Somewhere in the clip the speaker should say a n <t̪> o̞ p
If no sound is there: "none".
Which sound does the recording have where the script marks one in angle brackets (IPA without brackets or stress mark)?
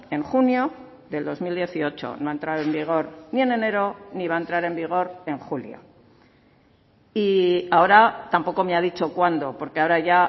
d̪